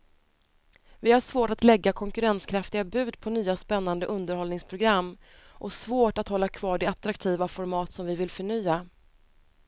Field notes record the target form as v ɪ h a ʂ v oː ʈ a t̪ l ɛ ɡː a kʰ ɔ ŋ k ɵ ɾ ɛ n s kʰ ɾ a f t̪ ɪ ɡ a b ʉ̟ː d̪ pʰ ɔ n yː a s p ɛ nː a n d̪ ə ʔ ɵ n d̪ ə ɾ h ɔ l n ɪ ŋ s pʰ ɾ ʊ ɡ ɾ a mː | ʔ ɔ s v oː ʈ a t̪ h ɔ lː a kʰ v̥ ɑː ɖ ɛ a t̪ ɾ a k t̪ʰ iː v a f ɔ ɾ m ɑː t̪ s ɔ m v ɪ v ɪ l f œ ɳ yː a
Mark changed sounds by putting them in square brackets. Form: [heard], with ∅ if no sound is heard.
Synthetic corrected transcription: v ɪ h a ʂ v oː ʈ a t̪ l ɛ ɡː a kʰ ɔ ŋ k ɵ ɾ ɛ n s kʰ ɾ a f t̪ ɪ ɡ a b ʉ̟ː d̪ pʰ ɔ n yː a s p ɛ nː a n d̪ ə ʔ ɵ n d̪ ə ɾ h ɔ l n ɪ ŋ s pʰ ɾ ʊ ɡ ɾ a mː | ʔ ɔ s v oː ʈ a t̪ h ɔ lː a kʰ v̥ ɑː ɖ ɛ a t̪ ɾ a k t̪ʰ iː v a f ɔ ɾ m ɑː t̪ s ɔ m v ɪ v ɪ l f œ ɳ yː a